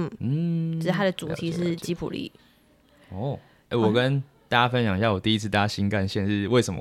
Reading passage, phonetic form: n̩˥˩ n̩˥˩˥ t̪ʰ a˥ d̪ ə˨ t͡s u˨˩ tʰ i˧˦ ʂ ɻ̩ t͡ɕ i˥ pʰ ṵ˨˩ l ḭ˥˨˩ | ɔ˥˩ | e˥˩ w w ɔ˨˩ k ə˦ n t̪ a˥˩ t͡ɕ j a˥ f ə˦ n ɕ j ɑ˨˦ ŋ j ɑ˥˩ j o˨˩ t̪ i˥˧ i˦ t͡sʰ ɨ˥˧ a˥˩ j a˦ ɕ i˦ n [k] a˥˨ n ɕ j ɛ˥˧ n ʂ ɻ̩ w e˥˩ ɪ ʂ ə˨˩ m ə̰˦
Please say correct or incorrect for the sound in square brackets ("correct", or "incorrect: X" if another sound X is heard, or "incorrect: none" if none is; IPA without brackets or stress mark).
correct